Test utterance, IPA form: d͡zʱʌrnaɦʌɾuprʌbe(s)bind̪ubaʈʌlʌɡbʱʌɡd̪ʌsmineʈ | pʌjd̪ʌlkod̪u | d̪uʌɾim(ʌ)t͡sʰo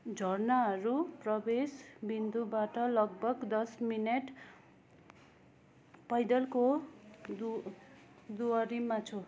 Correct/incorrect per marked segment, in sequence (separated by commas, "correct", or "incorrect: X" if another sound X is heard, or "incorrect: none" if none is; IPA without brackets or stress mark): correct, incorrect: a